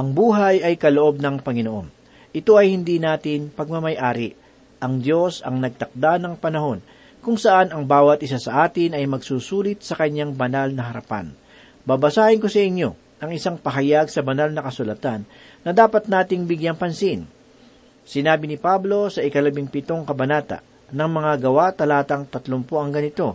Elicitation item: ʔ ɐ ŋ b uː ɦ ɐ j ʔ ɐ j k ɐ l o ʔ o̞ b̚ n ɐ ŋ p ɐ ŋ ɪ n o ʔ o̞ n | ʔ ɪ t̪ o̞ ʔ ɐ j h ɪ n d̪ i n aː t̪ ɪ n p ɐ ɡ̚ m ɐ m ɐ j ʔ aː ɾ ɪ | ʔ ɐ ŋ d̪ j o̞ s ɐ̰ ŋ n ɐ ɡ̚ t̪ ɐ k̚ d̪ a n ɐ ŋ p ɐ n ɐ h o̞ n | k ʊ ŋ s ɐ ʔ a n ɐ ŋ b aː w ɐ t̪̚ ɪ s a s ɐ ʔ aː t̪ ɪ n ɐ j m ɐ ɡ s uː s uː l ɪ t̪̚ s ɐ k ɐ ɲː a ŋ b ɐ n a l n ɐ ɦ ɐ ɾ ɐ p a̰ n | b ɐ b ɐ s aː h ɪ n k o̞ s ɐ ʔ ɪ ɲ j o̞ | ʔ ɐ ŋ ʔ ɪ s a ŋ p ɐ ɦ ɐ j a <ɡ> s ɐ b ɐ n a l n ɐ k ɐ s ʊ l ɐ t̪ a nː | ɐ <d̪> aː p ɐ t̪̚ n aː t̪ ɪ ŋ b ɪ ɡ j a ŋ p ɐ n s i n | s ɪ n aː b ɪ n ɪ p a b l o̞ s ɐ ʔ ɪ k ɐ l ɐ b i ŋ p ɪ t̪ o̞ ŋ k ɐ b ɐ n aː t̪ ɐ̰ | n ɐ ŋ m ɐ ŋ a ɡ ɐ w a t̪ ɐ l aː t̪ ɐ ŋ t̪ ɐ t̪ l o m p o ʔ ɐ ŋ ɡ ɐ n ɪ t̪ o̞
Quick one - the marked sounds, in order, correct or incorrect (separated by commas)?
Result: correct, correct